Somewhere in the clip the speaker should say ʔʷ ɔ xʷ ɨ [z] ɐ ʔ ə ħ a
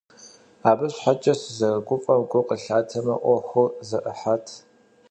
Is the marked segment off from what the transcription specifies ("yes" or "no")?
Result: no